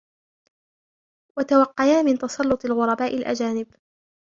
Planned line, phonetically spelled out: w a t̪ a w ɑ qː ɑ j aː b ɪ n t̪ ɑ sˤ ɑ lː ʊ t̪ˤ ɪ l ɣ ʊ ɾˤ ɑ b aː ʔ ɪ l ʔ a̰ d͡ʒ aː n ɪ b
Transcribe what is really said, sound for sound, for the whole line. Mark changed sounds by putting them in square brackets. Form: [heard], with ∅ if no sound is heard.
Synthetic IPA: w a t̪ a w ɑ qː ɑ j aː [m] ɪ n t̪ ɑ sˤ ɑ lː ʊ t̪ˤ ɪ l ɣ ʊ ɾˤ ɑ b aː ʔ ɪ l ʔ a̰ d͡ʒ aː n ɪ b